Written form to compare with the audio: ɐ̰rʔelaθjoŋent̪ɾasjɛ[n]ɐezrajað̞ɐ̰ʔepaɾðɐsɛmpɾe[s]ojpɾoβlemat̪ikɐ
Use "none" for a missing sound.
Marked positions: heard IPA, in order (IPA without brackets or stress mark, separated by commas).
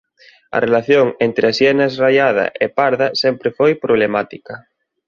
n, f